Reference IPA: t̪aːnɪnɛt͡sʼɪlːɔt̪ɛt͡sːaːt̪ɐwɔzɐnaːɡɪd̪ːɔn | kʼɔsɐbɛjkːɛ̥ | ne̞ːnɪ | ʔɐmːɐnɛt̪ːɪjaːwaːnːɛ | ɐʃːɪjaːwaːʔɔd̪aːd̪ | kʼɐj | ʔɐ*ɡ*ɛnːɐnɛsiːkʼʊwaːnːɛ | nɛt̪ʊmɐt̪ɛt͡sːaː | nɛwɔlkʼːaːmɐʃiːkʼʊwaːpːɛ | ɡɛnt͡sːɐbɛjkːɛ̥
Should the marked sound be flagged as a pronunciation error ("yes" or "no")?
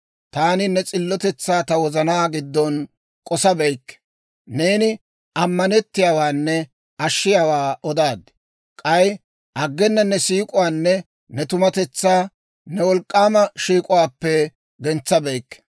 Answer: yes